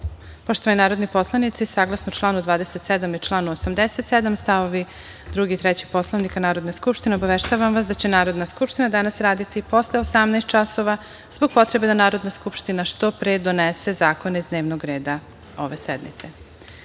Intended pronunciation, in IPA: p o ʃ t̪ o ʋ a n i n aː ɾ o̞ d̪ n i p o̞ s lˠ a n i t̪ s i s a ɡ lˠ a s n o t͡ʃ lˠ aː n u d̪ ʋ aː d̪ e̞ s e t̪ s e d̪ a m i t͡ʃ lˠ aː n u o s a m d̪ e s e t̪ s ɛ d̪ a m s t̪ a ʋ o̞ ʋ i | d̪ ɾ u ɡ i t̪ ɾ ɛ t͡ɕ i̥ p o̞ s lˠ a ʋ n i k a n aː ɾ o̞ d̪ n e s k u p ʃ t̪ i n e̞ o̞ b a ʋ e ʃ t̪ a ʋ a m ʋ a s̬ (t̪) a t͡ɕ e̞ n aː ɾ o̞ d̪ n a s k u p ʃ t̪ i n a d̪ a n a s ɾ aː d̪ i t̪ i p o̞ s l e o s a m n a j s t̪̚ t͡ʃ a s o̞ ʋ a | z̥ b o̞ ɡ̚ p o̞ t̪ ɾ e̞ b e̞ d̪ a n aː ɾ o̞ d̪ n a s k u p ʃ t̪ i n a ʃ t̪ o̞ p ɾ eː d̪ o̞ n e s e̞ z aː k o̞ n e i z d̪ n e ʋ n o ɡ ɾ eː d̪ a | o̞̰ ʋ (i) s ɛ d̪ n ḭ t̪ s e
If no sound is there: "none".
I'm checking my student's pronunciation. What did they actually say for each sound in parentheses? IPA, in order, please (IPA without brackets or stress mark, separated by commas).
d̪, e